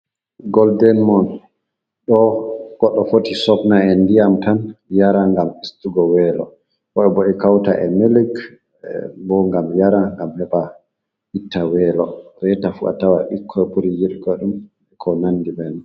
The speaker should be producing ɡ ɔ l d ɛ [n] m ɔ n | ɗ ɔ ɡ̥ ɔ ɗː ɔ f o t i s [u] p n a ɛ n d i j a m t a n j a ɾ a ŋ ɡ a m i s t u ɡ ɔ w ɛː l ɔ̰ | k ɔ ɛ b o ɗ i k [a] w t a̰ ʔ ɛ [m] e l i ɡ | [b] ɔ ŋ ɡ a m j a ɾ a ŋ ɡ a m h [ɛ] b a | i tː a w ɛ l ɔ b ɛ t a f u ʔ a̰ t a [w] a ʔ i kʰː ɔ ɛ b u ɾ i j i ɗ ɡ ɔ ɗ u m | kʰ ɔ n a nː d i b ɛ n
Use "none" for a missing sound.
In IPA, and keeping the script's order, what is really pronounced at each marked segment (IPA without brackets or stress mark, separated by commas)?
n, ɔ, a, m, b, ɛ, w